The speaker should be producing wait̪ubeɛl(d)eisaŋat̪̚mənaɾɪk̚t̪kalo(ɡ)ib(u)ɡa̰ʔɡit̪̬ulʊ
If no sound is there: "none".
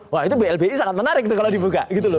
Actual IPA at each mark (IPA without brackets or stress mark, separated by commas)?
b, d, u